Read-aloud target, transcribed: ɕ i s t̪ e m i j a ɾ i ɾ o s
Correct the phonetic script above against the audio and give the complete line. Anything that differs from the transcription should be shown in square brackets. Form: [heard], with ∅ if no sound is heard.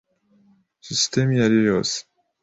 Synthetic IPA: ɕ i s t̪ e m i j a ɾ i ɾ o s